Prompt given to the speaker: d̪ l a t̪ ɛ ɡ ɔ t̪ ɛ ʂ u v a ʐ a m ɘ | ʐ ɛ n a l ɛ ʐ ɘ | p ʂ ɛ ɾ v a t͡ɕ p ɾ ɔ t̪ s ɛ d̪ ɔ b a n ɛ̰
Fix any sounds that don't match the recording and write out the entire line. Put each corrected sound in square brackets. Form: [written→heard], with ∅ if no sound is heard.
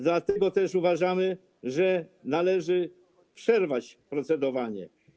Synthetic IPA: d̪ l a t̪ ɛ ɡ ɔ t̪ ɛ ʂ u v a ʐ a m ɘ | ʐ ɛ n a l ɛ ʐ ɘ | p ʂ ɛ ɾ v a t͡ɕ p ɾ ɔ t̪ s ɛ d̪ ɔ [b→v] a [n→ɲ] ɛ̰